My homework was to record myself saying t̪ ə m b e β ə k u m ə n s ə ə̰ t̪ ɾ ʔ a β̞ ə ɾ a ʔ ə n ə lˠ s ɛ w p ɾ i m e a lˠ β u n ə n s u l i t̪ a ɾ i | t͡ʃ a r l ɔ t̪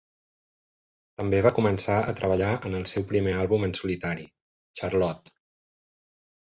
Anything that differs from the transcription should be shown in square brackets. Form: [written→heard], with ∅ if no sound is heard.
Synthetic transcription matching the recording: t̪ ə m b e β [ə→a] k u m ə n s [ə→a] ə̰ t̪ ɾ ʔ [a→ə] β̞ ə [ɾ→ʎ] a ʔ ə n ə lˠ s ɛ w p ɾ i m e a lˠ β u [n→m] ə n s u l i t̪ a ɾ i | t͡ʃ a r l ɔ t̪